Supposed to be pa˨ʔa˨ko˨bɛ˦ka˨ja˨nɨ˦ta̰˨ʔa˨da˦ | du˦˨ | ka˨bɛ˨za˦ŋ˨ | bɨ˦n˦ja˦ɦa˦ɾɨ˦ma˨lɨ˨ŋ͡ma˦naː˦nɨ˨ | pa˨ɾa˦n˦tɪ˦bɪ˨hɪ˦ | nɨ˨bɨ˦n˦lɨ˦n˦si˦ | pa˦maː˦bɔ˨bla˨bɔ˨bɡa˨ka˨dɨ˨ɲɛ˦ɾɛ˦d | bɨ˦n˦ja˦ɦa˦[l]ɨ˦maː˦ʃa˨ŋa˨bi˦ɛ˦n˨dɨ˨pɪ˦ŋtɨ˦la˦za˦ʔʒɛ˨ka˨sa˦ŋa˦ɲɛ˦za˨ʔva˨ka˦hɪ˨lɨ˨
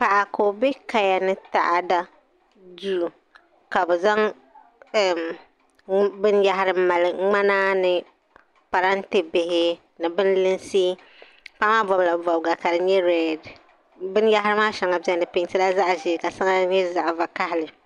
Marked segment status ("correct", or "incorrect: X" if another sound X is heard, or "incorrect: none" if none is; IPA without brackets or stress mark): incorrect: ɾ